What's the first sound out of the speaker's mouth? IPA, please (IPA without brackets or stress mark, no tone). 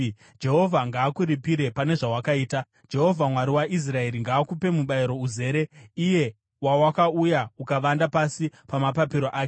d͡ʒ